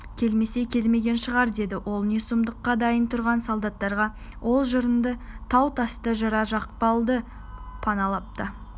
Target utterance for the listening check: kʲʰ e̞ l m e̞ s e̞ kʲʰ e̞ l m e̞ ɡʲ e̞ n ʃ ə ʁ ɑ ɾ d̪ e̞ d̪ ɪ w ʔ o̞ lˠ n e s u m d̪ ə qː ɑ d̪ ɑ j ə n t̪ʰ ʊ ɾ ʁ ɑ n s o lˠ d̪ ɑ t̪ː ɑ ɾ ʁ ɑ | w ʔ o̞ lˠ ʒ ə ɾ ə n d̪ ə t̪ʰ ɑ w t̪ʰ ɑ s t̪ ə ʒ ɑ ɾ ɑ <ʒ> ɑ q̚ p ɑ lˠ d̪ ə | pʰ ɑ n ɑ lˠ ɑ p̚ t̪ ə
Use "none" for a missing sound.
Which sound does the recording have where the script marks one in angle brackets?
ʒ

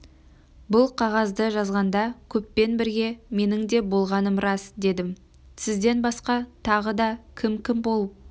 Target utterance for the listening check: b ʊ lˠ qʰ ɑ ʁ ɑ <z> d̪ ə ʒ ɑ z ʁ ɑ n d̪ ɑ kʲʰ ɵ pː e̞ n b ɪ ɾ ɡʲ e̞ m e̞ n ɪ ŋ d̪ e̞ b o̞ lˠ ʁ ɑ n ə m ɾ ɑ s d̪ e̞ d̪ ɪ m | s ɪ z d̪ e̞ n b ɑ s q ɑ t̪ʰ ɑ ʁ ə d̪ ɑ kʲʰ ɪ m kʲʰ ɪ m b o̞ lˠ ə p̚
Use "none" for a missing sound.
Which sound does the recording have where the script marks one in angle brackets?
z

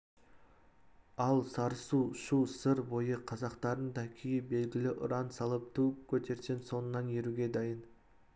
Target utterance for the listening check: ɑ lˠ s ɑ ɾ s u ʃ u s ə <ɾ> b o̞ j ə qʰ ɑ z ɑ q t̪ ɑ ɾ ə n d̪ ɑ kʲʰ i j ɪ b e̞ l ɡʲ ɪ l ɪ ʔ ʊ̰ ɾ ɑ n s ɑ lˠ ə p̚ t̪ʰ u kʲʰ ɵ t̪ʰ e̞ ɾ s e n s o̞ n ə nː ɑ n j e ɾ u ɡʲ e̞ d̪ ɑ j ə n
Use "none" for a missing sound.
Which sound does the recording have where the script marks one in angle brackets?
ɾ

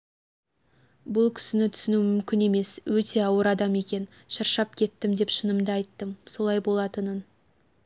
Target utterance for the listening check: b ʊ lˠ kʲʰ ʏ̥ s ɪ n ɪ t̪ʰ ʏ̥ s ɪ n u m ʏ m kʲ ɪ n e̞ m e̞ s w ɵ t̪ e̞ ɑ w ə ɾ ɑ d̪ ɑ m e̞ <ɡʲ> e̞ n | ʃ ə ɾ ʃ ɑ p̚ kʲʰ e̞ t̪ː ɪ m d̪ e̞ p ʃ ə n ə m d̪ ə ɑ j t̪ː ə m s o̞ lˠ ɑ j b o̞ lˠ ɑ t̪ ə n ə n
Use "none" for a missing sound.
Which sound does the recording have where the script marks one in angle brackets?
kʲ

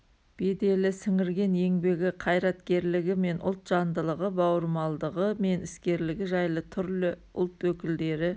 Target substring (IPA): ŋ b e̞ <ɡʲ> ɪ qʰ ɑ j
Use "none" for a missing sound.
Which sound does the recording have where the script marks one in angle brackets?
ɡʲ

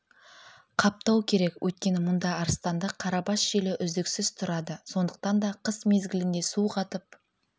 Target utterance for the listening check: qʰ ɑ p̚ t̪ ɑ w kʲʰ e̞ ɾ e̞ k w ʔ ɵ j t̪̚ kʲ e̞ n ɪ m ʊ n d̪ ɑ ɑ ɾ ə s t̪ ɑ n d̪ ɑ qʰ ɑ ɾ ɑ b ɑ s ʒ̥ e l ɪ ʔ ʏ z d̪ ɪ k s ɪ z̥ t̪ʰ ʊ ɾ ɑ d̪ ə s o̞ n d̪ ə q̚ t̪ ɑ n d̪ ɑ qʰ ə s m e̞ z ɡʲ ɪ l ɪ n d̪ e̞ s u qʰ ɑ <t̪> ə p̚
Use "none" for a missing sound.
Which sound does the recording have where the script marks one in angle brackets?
t̪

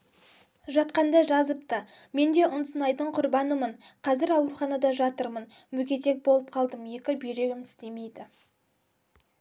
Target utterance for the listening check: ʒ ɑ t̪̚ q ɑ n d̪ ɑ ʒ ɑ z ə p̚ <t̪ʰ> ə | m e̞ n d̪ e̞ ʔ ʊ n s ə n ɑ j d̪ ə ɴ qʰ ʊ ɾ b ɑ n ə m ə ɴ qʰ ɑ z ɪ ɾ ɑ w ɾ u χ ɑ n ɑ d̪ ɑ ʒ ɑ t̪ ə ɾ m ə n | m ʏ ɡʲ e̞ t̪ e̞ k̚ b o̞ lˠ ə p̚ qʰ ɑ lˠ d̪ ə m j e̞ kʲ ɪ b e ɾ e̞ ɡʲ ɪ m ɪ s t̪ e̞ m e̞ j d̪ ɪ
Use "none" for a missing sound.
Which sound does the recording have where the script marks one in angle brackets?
t̪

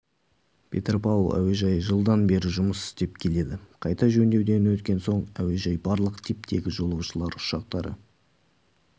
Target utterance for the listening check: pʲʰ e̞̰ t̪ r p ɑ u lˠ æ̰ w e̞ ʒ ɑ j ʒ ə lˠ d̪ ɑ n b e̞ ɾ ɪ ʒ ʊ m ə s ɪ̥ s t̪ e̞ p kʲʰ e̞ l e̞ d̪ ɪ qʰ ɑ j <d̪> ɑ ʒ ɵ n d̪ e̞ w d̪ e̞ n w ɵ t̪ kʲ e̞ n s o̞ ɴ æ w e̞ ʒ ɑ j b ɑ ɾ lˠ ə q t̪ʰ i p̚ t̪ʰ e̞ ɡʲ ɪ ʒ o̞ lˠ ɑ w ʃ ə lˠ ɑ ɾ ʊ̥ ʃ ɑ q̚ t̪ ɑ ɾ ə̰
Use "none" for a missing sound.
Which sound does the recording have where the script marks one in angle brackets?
t̪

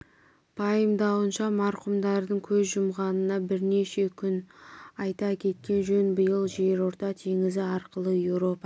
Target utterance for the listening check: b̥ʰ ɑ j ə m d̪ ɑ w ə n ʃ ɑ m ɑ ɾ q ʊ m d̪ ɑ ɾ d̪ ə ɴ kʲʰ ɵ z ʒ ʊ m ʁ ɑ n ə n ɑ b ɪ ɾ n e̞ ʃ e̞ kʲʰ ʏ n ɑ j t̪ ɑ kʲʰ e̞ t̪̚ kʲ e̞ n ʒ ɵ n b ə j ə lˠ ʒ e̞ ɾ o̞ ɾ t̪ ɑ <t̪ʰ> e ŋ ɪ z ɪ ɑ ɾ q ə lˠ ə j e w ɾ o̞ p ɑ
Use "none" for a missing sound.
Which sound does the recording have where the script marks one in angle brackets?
t̪ʰ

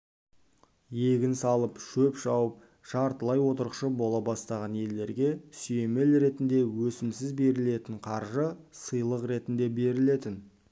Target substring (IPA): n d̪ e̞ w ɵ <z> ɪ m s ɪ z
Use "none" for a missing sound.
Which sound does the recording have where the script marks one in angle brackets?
s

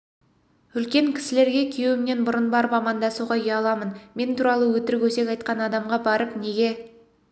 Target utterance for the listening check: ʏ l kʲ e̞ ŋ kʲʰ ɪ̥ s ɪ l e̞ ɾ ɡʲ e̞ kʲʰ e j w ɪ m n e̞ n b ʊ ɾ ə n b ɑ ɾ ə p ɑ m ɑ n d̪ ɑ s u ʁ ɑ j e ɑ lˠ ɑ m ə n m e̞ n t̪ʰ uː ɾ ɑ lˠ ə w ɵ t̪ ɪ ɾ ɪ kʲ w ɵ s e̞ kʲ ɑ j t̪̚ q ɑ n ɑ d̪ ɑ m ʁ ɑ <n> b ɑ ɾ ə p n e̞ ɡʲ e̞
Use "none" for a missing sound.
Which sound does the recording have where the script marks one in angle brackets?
none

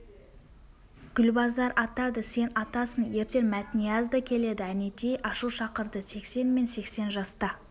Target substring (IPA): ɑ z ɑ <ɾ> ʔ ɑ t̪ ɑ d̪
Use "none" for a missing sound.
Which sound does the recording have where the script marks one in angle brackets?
ɾ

